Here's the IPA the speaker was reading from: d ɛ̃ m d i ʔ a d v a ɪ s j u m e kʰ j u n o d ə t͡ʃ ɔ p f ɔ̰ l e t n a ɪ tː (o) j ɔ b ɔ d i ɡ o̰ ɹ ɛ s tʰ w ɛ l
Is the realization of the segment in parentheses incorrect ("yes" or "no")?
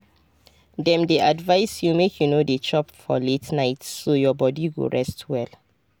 no